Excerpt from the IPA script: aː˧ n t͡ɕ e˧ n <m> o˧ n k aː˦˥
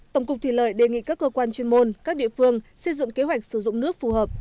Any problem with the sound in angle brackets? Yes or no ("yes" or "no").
no